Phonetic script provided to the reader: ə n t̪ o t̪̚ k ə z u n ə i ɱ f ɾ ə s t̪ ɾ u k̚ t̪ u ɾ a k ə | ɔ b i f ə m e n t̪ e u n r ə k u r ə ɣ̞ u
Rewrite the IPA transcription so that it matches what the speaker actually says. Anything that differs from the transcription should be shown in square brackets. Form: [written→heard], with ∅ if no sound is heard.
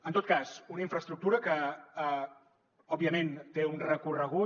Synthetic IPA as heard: ə n t̪ o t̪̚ k [ə→a] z u n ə i ɱ f ɾ ə s t̪ ɾ u k̚ t̪ u ɾ [a→ə] k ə | ɔ b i [f→∅] ə m e n t̪ e u n r ə k u r ə ɣ̞ u